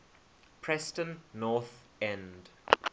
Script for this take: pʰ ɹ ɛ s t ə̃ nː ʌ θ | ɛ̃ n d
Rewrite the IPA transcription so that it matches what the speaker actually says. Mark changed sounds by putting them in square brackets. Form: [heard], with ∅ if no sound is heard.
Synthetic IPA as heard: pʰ ɹ ɛ s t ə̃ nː [ɔ] θ | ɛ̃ n d